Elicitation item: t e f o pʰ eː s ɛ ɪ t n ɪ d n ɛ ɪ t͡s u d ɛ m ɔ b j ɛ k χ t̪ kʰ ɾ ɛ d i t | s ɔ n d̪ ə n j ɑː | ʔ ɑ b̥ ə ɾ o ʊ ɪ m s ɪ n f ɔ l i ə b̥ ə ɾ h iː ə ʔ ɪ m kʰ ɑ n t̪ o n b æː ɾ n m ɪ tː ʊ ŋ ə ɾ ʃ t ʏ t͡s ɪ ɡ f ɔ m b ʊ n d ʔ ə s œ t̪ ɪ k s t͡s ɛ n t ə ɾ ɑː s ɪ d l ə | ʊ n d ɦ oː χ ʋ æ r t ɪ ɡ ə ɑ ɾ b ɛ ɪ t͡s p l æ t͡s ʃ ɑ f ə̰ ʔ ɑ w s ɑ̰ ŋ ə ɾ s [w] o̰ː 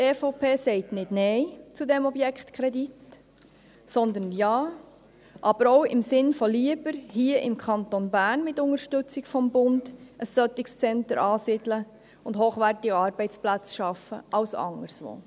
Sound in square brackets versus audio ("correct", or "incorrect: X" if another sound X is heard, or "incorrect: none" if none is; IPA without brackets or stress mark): incorrect: ʋ